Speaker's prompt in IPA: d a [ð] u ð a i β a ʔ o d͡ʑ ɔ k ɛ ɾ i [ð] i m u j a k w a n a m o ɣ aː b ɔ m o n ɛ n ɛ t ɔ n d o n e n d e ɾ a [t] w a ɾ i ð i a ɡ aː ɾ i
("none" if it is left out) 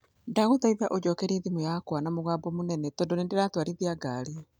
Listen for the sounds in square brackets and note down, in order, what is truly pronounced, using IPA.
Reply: ɣ, ð, t

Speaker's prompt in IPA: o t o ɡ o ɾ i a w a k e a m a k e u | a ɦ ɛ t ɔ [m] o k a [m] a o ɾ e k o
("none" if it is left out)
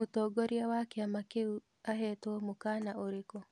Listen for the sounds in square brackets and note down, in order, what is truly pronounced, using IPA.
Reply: m, n

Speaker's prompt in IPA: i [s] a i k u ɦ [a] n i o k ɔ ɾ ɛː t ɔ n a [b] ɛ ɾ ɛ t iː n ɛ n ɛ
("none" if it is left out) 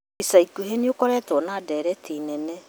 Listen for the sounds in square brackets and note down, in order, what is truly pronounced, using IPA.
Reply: s, e, d

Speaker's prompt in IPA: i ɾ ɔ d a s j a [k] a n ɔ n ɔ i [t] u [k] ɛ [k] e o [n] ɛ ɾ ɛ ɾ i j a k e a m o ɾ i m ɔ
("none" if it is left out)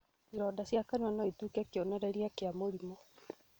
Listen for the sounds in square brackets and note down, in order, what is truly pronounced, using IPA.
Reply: k, t, k, k, n

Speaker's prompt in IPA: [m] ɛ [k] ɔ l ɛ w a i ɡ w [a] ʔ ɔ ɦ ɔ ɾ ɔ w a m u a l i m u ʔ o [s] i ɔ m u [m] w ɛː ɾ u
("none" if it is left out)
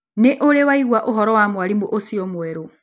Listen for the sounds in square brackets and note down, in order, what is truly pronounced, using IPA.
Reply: n, ʔ, a, s, none

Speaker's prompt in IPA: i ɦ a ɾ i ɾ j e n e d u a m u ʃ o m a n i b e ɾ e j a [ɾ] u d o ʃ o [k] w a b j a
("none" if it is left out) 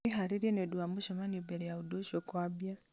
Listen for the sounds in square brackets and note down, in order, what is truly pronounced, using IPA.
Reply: none, k

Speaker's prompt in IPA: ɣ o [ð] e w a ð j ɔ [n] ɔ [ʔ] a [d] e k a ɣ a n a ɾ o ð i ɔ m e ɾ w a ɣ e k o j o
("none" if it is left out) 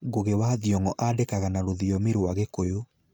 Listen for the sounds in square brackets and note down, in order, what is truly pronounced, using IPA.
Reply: ɣ, ŋ, ʔ, d

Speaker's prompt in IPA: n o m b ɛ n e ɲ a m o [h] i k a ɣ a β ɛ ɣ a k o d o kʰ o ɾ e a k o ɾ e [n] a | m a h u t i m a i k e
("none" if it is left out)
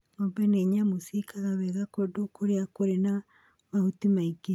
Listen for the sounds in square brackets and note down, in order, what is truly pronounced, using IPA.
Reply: s, n

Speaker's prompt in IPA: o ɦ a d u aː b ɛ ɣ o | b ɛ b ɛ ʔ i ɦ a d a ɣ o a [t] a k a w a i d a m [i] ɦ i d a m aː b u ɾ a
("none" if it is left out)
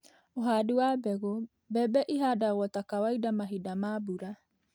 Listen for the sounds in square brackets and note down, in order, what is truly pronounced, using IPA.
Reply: t, a

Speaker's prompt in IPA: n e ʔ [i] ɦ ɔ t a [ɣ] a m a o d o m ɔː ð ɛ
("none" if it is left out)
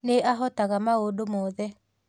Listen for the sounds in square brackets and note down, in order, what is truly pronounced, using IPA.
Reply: a, ɣ

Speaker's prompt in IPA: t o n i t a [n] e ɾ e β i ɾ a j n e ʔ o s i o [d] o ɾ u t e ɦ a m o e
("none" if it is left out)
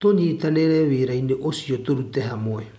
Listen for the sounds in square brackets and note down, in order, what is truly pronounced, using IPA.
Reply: n, t

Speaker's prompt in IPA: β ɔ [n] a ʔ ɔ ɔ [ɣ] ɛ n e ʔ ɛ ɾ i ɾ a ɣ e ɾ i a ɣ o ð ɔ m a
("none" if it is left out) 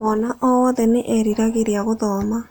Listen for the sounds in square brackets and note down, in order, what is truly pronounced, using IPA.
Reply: n, ð

